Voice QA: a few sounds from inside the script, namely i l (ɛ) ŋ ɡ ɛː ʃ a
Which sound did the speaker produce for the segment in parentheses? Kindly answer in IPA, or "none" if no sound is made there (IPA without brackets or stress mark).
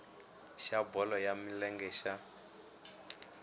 ɛ